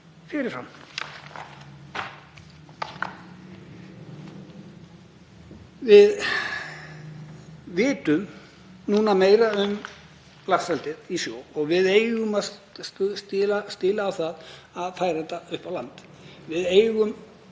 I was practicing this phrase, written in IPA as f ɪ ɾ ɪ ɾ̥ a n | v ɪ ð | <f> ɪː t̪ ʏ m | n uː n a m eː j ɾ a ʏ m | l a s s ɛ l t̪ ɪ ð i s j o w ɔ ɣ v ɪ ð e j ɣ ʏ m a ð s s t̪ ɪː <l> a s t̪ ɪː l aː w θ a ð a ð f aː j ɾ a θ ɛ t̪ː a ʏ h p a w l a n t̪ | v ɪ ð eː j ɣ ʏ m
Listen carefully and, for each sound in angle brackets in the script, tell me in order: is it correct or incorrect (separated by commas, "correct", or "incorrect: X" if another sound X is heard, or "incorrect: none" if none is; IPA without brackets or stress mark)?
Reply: incorrect: v, correct